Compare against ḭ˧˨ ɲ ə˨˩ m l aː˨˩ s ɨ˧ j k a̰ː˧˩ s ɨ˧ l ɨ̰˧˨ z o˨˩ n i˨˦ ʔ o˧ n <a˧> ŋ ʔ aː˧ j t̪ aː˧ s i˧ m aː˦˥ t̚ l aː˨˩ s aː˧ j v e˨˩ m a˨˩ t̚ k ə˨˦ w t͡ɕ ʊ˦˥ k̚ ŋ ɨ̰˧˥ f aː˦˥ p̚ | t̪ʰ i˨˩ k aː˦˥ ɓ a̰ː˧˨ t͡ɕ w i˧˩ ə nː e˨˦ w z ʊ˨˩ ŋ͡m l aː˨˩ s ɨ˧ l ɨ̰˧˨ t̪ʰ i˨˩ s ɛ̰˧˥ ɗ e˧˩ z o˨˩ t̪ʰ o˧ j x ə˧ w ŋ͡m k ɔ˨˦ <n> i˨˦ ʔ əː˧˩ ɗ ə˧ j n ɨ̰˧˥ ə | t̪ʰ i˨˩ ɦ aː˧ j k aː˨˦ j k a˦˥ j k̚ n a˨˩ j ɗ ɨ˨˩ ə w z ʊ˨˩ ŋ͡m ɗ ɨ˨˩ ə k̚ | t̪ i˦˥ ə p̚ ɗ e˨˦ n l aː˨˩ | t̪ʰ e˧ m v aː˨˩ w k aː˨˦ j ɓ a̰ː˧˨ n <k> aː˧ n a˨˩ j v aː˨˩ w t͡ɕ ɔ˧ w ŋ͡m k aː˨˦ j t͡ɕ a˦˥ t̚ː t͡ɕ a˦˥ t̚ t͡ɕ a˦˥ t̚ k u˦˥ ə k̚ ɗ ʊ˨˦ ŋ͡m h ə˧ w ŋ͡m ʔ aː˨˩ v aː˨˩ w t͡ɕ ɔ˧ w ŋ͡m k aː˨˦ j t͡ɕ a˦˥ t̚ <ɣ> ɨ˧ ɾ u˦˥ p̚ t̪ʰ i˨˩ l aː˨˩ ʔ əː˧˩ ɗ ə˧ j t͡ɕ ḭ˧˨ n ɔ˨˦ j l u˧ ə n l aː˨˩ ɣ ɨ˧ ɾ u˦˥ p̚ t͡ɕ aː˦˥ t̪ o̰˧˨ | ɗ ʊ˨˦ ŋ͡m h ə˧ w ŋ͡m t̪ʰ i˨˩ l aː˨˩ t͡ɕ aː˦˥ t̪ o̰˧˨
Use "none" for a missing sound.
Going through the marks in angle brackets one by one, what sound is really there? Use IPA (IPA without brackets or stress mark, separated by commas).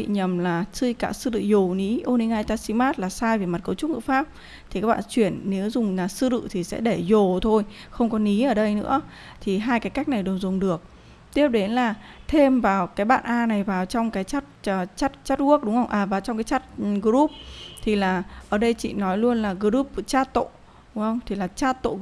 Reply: i˧, n, ʔ, ɣ